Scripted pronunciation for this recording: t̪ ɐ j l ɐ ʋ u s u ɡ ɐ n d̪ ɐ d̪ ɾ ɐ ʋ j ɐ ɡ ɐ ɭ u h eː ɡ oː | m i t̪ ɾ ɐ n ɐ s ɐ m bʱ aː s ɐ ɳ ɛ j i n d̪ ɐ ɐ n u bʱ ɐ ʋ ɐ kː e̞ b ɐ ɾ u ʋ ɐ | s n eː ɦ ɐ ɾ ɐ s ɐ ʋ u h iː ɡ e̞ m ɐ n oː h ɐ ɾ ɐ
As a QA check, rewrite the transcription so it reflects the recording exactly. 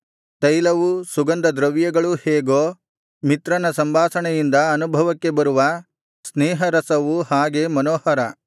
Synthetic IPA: t̪ ɐ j l ɐ ʋ u s u ɡ ɐ n d̪ ɐ d̪ ɾ ɐ ʋ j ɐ ɡ ɐ ɭ u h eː ɡ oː | m i t̪ ɾ ɐ n ɐ s ɐ m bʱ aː s ɐ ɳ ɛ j i n d̪ ɐ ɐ n u bʱ ɐ ʋ ɐ kː e̞ b ɐ ɾ u ʋ ɐ | s n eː ɦ ɐ ɾ ɐ s ɐ ʋ u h aː ɡ e̞ m ɐ n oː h ɐ ɾ ɐ